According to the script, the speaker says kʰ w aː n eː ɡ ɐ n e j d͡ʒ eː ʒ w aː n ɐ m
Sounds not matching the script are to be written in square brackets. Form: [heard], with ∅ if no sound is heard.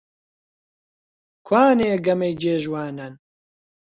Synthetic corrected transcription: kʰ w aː n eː ɡ ɐ [m] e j d͡ʒ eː ʒ w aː n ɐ [n]